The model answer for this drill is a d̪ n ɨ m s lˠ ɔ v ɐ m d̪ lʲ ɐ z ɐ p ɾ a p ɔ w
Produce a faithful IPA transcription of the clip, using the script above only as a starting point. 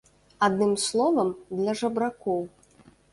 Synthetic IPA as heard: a d̪ n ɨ m s lˠ ɔ v ɐ m d̪ lʲ ɐ ʐ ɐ b ɾ a k ɔ w